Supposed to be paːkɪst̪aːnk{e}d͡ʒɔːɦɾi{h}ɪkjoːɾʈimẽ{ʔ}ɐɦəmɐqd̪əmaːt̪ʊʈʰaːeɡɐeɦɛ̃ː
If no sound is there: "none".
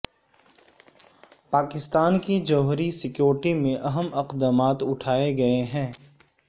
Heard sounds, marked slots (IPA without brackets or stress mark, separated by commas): i, s, ʔ